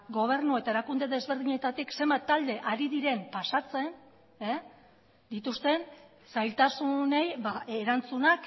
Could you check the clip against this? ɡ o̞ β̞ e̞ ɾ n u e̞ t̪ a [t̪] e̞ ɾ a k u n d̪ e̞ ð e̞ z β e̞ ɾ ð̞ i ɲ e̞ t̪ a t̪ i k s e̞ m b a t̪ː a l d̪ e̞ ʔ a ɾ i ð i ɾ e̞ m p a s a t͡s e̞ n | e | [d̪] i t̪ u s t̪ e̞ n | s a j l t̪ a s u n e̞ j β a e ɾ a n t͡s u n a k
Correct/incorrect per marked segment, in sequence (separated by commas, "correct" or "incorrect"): incorrect, correct